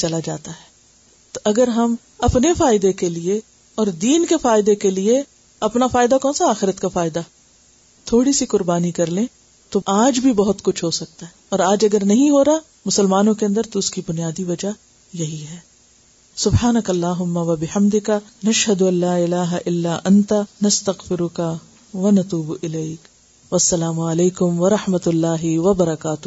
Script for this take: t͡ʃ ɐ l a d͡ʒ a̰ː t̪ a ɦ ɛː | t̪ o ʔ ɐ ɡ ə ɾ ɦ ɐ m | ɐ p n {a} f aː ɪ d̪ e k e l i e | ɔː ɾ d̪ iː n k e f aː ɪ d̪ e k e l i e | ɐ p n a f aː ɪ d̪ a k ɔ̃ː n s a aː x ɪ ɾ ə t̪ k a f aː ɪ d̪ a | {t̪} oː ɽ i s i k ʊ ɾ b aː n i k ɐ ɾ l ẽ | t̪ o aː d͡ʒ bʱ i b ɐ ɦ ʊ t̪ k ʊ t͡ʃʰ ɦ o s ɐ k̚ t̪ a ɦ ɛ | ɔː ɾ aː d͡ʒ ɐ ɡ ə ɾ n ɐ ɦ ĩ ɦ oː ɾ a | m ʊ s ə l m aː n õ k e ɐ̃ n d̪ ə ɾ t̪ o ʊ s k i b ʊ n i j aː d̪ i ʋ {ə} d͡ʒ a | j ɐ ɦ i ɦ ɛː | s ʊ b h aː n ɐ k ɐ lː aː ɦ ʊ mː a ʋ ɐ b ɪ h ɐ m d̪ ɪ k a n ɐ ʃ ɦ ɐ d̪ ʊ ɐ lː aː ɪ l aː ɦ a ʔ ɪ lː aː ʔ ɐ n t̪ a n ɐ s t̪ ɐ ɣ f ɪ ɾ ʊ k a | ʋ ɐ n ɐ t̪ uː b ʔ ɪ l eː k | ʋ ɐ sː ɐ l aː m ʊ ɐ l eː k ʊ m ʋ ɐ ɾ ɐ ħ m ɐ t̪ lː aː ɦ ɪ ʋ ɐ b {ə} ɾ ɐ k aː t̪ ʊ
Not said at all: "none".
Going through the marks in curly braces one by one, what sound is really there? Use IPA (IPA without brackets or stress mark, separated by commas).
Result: e, t̪ʰ, ɐ, ɐ